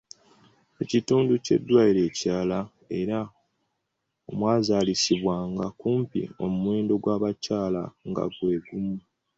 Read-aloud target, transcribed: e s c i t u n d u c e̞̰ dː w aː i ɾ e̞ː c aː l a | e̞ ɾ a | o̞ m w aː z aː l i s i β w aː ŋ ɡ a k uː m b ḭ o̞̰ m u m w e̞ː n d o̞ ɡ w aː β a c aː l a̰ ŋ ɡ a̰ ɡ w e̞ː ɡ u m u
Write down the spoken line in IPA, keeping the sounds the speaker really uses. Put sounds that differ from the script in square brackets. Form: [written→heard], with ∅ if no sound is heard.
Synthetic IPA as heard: e [s→∅] c i t [u→uː] n d u c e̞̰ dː w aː i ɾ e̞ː c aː l a | e̞ ɾ a | o̞ m w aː z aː l i s i β w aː ŋ ɡ a k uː m [b→p] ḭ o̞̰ m u m w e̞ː n d o̞ ɡ w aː β a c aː l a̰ ŋ ɡ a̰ ɡ w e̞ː ɡ u m u